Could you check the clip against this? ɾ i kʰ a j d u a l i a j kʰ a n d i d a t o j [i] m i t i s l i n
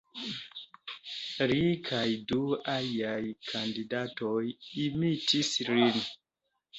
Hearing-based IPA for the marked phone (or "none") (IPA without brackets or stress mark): i